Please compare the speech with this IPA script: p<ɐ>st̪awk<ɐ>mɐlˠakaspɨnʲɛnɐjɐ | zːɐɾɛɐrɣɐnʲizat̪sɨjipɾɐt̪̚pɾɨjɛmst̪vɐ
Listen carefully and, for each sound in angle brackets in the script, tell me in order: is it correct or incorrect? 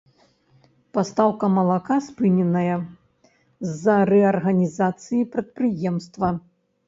incorrect: a, correct

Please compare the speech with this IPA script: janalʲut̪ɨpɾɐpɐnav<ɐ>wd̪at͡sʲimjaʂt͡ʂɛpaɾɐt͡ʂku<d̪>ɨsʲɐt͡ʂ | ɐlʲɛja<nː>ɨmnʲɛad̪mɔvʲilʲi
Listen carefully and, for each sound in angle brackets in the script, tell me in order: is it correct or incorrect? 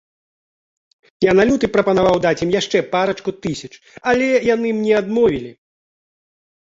incorrect: a, incorrect: t̪, incorrect: n

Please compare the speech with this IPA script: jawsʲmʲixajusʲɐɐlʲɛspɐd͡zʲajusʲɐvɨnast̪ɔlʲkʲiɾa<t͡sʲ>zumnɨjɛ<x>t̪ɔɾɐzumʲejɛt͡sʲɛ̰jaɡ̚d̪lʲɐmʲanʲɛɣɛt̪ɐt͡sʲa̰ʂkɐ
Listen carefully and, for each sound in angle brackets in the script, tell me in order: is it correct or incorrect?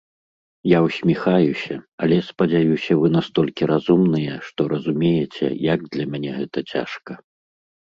incorrect: none, incorrect: ʂ

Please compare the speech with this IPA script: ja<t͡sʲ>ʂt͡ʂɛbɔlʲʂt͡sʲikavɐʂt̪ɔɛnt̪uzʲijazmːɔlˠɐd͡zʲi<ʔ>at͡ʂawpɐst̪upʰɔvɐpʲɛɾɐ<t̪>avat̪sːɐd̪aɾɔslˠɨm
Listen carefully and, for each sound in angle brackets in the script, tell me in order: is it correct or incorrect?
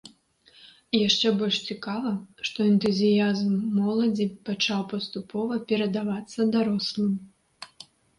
incorrect: none, incorrect: p, incorrect: d̪

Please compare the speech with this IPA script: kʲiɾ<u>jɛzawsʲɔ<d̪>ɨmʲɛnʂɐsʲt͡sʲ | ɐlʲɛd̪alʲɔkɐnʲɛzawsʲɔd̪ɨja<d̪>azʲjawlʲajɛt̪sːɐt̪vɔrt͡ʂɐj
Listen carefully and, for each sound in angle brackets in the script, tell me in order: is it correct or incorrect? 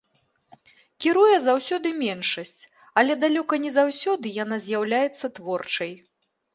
correct, correct, incorrect: n̪

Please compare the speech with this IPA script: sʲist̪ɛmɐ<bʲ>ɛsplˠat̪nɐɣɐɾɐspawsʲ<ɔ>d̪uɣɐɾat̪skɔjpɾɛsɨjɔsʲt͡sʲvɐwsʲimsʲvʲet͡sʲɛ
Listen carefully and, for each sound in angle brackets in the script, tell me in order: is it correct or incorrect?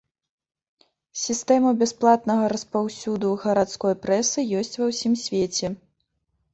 correct, incorrect: u

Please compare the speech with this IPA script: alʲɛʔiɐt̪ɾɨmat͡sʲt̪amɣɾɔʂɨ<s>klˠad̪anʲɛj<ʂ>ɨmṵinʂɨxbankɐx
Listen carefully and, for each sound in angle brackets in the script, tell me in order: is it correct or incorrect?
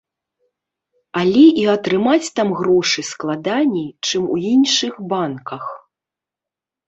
correct, incorrect: t͡ʂ

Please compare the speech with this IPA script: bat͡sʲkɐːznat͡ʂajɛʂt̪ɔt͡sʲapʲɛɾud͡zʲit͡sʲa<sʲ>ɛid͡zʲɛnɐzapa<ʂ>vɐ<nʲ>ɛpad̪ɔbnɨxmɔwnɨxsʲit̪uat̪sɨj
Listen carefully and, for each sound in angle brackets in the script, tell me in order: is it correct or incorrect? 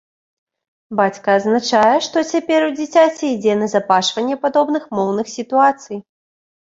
incorrect: t͡sʲ, correct, incorrect: nʲː

